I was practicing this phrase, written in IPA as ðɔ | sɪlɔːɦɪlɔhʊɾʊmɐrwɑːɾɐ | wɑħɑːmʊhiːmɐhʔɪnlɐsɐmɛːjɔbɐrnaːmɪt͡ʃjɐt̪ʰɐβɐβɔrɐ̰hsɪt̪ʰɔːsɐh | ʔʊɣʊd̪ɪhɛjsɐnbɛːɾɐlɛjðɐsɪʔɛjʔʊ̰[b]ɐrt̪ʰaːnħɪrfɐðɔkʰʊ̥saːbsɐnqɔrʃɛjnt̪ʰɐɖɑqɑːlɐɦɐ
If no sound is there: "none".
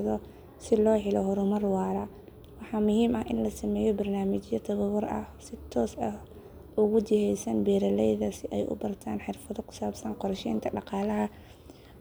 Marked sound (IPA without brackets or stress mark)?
b